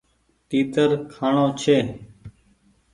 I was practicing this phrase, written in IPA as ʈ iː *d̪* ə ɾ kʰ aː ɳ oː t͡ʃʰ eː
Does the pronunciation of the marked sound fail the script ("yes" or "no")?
yes